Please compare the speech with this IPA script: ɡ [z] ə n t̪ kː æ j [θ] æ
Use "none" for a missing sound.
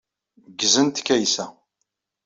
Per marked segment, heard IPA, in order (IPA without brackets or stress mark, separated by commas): z, s